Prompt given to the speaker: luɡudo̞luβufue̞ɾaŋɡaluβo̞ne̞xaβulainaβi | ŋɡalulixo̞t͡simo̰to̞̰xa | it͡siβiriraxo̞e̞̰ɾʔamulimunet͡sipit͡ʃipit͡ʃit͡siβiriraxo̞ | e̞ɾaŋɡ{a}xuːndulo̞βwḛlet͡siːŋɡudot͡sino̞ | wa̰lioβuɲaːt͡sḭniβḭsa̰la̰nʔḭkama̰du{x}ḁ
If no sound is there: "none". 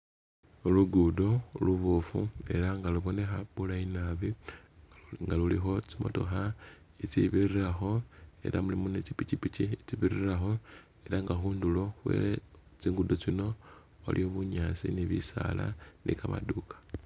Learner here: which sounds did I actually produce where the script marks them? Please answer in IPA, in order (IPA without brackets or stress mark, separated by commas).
a, k